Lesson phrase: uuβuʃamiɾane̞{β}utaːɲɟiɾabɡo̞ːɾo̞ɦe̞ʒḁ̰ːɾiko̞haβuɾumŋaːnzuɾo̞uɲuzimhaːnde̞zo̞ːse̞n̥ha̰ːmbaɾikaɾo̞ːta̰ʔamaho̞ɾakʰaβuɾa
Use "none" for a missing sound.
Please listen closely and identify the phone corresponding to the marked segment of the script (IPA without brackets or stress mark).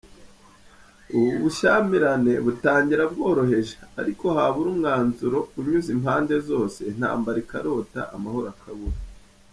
β